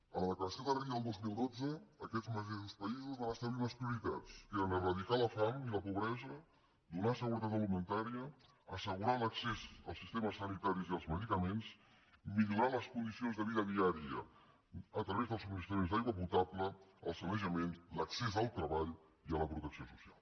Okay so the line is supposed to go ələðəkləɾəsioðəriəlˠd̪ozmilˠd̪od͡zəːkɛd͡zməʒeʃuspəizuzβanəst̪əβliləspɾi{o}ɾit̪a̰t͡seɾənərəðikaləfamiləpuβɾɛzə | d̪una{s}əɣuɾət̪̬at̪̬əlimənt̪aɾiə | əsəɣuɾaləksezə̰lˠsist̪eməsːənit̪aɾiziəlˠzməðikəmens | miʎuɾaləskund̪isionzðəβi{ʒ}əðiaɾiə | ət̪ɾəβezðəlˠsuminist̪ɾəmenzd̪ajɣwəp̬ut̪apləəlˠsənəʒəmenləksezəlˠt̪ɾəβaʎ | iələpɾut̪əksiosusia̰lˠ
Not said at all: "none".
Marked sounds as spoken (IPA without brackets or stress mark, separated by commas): u, s, ð